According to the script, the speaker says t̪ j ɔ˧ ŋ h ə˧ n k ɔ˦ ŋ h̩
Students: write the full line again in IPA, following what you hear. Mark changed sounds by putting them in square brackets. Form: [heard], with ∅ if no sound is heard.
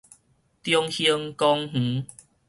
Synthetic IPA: t̪ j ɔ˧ ŋ h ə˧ [ŋ] k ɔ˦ ŋ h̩